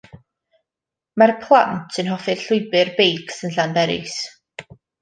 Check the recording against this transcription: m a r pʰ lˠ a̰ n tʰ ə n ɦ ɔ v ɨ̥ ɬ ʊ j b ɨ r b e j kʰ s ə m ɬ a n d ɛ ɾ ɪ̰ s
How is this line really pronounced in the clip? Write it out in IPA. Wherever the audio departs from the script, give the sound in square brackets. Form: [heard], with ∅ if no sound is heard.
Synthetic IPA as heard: m a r pʰ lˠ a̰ n tʰ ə n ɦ ɔ [f] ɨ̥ ɬ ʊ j b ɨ r b e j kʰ s ə [n] ɬ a n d ɛ ɾ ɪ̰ s